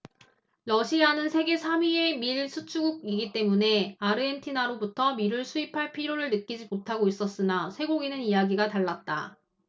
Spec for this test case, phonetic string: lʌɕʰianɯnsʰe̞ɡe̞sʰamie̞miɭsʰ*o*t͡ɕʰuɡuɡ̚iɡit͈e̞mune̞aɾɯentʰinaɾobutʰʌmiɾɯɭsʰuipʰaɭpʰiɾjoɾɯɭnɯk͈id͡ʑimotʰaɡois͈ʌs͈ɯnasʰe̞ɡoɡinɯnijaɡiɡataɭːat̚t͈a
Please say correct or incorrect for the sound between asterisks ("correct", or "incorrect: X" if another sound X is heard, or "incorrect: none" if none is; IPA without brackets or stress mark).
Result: incorrect: u